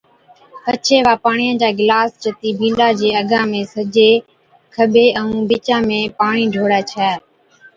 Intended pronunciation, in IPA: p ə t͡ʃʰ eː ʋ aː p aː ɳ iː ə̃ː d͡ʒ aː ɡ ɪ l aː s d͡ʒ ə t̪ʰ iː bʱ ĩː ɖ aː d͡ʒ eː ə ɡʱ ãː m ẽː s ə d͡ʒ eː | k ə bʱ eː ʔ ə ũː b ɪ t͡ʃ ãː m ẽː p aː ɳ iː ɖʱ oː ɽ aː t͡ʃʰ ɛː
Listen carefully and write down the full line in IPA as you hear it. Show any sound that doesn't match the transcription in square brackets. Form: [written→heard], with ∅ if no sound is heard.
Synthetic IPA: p ə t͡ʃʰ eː ʋ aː p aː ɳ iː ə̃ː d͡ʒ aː ɡ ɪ l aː s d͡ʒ ə [t̪ʰ→t̪] iː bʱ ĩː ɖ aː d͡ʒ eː ə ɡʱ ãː m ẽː s ə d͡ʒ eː | [k→kʰ] ə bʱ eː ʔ ə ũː b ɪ t͡ʃ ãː m ẽː p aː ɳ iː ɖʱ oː ɽ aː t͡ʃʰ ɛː

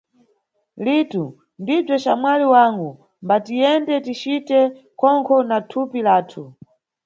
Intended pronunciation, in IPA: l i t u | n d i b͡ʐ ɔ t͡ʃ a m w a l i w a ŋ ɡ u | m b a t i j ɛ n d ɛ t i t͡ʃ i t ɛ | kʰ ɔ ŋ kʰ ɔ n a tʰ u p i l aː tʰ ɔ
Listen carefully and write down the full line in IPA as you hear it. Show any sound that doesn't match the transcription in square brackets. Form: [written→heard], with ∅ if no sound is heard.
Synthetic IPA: l i t u | n d i b͡ʐ ɔ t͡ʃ a m w a l i w a ŋ ɡ u | m b a t i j ɛ n d ɛ t i t͡ʃ i t ɛ | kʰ ɔ ŋ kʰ ɔ n a tʰ u p i l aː tʰ [ɔ→u]

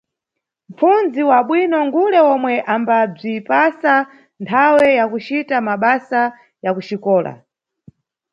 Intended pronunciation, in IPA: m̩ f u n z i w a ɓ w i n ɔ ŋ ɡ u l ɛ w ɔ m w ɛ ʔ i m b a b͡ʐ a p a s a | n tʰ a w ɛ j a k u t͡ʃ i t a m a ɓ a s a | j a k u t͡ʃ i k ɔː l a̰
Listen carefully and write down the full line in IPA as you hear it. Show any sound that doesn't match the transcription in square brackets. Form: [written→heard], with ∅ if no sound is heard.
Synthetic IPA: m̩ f u n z i w a ɓ w i n ɔ ŋ ɡ u l ɛ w ɔ m w ɛ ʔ [i→a] m b a b͡ʐ [a→i] p a s a | n tʰ a w ɛ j a k u t͡ʃ i t a m a ɓ a s a | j a k u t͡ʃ i k ɔː l a̰

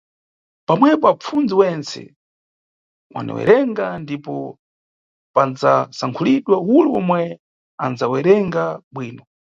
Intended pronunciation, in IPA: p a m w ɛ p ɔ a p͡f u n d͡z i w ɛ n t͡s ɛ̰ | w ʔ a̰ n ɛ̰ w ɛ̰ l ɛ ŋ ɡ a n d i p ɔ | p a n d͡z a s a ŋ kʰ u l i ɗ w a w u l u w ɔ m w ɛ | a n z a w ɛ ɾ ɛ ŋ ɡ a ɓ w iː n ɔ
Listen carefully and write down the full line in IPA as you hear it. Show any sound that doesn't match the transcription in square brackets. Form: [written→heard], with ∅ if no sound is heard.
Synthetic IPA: p a m w ɛ p ɔ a p͡f u n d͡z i w ɛ n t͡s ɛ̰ | w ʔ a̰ n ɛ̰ w ɛ̰ [l→ɾ] ɛ ŋ ɡ a n d i p ɔ | p a n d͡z a s a ŋ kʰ u l i ɗ w a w u l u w ɔ m w ɛ | a n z a w ɛ ɾ ɛ ŋ ɡ a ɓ w iː n ɔ

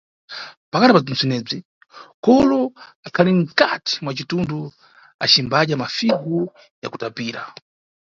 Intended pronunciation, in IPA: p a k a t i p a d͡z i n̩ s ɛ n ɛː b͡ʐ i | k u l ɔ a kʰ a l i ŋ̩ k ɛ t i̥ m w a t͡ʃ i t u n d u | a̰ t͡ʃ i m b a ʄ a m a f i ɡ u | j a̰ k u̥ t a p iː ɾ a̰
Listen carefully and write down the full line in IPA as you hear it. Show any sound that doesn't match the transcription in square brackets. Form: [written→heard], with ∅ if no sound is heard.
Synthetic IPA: p a k a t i p a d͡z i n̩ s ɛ n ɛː b͡ʐ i | k [u→ɔ] l ɔ a kʰ a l i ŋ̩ k [ɛ→a] t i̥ m w a t͡ʃ i t u n d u | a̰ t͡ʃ i m b a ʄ a m a f i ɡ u | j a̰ k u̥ t a p iː ɾ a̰

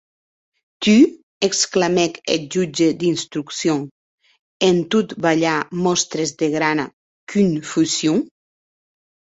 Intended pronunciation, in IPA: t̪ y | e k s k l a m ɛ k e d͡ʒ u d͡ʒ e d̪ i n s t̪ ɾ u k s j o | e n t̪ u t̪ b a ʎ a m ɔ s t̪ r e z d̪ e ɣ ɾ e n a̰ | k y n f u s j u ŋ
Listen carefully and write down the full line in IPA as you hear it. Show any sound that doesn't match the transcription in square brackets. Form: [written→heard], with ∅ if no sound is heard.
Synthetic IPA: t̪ y | e k s k l a m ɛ k e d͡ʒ u d͡ʒ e d̪ i n s t̪ ɾ u k s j o | e n t̪ u t̪ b a ʎ a m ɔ s t̪ [r→ɾ] e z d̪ e ɣ ɾ [e→a] n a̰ | k y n f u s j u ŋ

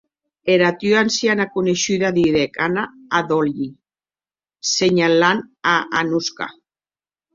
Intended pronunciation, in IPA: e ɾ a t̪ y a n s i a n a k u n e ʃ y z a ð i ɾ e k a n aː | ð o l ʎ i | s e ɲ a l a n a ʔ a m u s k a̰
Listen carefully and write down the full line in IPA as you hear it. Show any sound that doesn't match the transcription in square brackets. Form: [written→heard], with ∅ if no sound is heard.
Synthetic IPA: e ɾ a t̪ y a n s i a n a k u n e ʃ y [z→ð] a ð i ɾ e k a n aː | ð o l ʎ i | s e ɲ a l a n a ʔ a [m→n] u s k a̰

